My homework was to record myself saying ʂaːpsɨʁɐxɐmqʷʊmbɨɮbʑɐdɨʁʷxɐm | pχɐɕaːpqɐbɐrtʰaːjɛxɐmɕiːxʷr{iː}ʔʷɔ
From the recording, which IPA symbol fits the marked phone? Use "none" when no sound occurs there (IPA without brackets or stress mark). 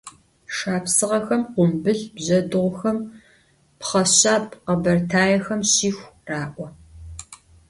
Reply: aː